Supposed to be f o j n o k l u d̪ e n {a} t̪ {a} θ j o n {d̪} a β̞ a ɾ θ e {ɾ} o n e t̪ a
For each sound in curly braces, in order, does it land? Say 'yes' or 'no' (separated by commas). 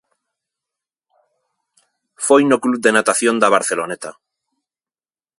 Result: yes, yes, yes, no